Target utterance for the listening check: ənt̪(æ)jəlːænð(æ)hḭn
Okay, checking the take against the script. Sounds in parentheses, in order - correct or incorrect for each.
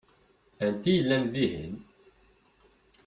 incorrect, incorrect

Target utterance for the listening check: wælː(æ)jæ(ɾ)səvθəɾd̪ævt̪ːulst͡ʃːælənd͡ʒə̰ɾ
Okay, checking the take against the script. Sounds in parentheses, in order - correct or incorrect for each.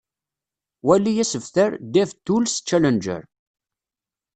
incorrect, incorrect

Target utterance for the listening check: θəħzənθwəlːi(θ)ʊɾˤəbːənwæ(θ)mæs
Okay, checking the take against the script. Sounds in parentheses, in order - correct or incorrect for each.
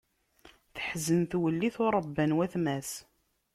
correct, correct

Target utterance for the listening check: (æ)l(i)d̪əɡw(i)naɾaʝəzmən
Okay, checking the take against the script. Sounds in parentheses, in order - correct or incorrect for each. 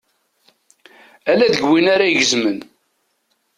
correct, incorrect, correct

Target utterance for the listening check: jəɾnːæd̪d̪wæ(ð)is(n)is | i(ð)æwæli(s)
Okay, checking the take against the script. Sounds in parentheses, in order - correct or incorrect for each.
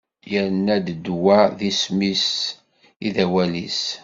correct, incorrect, correct, correct

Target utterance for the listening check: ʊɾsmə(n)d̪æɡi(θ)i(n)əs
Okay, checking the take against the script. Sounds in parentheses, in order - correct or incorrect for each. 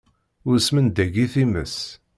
correct, correct, incorrect

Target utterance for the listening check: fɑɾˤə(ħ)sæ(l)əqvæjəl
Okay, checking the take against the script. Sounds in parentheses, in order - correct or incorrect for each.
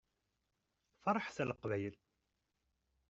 correct, correct

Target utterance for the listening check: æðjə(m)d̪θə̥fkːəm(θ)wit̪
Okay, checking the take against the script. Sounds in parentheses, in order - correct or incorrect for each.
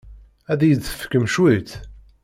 incorrect, incorrect

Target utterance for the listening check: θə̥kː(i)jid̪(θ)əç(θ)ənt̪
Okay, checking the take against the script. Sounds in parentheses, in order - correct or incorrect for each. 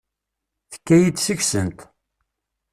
incorrect, incorrect, incorrect

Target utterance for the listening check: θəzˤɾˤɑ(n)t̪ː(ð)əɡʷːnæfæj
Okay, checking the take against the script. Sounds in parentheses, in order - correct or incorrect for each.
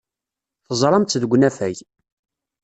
incorrect, correct

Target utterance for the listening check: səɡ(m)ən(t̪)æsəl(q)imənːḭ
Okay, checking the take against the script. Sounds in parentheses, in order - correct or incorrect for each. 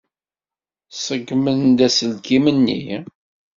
correct, incorrect, incorrect

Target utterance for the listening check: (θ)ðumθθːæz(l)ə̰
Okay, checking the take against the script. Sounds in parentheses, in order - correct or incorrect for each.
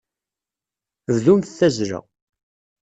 incorrect, incorrect

